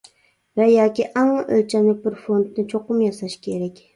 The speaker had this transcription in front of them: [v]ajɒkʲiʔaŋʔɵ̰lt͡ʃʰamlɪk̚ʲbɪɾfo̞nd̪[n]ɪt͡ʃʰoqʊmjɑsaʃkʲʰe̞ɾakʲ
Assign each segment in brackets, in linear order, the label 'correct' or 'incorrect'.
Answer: correct, correct

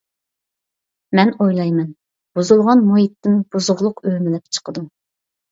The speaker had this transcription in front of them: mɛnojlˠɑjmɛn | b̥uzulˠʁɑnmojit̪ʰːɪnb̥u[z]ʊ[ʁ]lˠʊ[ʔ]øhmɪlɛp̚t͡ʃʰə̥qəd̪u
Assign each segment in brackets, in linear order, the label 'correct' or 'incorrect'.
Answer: correct, correct, incorrect

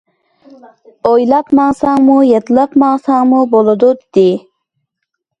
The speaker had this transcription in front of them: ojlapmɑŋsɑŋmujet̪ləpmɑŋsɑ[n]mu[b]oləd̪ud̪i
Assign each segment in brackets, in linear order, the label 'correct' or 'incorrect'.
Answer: incorrect, correct

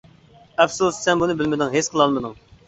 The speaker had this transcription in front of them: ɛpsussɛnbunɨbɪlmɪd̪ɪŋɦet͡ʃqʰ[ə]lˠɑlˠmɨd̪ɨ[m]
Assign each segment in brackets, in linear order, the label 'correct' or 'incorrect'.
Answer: correct, incorrect

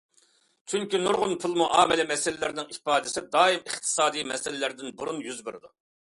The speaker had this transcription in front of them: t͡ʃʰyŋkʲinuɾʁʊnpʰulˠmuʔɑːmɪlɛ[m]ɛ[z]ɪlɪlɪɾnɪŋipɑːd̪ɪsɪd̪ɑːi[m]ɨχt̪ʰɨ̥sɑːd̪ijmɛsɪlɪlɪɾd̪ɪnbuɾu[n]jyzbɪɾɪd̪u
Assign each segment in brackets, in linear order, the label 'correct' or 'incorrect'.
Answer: correct, incorrect, correct, correct

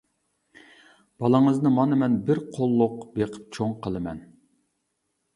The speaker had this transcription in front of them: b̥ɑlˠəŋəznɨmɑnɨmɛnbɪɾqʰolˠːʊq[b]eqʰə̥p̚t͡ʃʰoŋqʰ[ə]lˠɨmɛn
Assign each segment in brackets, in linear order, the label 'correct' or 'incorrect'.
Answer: correct, correct

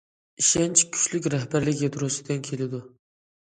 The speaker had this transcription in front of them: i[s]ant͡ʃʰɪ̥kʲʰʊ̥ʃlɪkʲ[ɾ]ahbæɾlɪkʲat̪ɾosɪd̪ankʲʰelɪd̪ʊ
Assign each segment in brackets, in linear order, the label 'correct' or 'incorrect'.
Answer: incorrect, correct

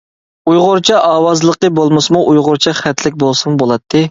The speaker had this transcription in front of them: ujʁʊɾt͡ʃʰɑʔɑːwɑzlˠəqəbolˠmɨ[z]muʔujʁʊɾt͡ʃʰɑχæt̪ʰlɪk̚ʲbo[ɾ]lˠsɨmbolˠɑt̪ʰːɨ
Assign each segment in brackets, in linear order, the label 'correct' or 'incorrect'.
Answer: incorrect, incorrect

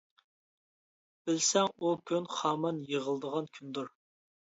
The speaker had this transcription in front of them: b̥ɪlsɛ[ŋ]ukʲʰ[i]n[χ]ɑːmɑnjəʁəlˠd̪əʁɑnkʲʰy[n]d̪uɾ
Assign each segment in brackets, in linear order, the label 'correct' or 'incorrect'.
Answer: correct, incorrect, correct, correct

